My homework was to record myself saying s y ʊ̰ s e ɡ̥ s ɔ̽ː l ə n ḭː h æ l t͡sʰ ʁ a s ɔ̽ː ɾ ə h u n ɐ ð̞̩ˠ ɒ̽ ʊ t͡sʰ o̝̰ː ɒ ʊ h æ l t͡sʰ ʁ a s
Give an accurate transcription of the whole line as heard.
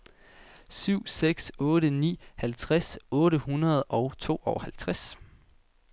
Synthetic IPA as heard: s y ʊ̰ s e ɡ̥ s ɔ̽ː ɾ ə n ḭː h æ l t͡sʰ ʁ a s ɔ̽ː ɾ ə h u n ɐ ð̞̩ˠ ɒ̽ ʊ t͡sʰ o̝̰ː ɒ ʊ h æ l t͡sʰ ʁ a s